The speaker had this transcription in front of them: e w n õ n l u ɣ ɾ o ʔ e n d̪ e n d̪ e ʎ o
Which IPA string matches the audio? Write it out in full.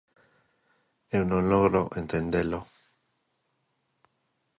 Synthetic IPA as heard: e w n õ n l o ɣ ɾ o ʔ e n t̪ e n d̪ e l o